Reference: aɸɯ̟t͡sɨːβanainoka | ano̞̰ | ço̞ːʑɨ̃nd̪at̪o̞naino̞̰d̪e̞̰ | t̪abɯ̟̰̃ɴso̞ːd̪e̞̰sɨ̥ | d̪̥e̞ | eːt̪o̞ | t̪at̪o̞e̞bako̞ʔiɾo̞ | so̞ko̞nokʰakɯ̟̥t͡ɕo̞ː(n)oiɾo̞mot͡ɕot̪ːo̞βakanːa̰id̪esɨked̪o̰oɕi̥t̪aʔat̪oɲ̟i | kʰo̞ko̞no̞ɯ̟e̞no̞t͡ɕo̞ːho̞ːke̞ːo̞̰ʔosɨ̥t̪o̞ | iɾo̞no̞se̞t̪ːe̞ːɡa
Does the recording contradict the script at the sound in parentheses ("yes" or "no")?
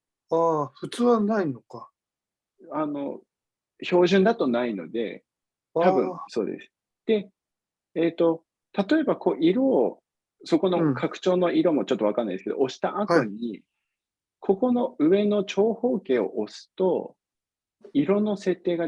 no